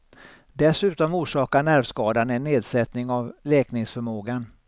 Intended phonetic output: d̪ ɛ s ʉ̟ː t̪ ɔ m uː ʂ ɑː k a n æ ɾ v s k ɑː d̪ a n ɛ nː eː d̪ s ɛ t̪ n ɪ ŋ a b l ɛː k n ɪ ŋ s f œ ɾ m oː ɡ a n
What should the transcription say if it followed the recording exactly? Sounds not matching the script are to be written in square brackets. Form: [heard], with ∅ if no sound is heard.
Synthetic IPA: d̪ ɛ s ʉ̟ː t̪ ɔ m uː ʂ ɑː k a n æ ɾ v s k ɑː d̪ a n ɛ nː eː d̪ s ɛ t̪ n ɪ ŋ a [v] l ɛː k n ɪ ŋ s f œ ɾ m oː ɡ a n